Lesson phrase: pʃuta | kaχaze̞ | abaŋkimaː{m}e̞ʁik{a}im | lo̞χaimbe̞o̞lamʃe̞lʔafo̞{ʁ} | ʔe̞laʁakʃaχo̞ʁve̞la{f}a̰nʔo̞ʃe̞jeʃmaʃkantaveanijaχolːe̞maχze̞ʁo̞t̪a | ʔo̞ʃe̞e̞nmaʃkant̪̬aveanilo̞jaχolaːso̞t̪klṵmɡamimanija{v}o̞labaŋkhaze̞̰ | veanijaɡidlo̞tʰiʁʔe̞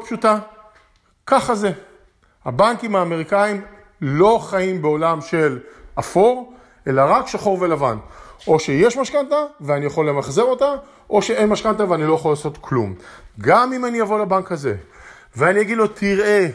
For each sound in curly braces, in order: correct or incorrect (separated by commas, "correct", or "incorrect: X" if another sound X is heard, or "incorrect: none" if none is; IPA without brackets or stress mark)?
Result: correct, correct, correct, incorrect: v, correct